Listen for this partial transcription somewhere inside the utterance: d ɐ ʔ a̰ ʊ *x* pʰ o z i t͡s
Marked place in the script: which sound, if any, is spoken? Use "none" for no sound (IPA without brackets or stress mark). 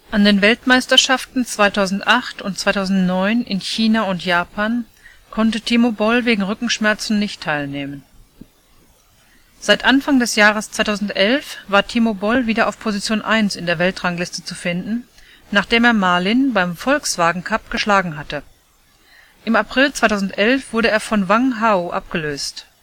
f